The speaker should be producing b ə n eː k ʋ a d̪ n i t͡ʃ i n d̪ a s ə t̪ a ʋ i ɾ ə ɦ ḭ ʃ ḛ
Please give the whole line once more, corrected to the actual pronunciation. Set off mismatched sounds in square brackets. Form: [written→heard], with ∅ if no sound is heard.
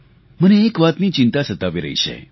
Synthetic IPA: [b→m] ə n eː k ʋ a [d̪→t̪] n i t͡ʃ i n [d̪→t̪] a s ə t̪ a ʋ i ɾ ə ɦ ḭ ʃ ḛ